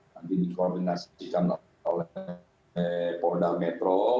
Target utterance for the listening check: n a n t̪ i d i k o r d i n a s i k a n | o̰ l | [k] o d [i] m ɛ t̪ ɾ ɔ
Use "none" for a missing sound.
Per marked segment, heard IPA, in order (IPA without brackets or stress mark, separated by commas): p, a